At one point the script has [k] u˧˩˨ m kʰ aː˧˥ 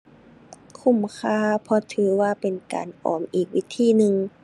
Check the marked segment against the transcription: incorrect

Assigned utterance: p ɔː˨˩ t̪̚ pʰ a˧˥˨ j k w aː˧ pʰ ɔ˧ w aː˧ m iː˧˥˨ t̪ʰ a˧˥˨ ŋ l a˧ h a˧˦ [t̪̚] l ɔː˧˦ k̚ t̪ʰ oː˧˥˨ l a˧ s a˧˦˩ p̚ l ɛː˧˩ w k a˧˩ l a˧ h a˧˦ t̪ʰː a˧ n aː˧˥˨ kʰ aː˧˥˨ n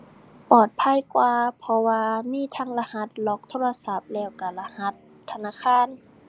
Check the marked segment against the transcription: correct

